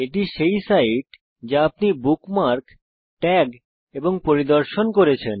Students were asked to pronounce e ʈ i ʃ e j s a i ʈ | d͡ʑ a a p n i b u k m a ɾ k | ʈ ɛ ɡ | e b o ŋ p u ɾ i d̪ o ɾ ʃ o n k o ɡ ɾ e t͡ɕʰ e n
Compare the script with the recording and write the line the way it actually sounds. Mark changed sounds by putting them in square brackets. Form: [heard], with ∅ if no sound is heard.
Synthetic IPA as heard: e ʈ i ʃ e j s a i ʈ | d͡ʑ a a p n i b u k m a ɾ k | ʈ ɛ ɡ | e b o ŋ p [o] ɾ i d̪ o ɾ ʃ o n k o [∅] ɾ e t͡ɕʰ e n